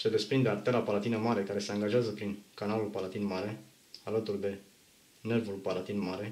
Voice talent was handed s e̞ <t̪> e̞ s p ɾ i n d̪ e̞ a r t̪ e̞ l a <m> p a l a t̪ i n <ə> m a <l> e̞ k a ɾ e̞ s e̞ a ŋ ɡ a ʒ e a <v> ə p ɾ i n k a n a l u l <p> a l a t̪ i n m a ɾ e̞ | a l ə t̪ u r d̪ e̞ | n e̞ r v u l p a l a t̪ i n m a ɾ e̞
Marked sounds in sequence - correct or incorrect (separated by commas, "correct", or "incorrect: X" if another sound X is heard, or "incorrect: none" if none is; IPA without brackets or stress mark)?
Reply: incorrect: d̪, incorrect: none, correct, incorrect: ɾ, incorrect: z, correct